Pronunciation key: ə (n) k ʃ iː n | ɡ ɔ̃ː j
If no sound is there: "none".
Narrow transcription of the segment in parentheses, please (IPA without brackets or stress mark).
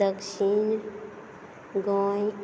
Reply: none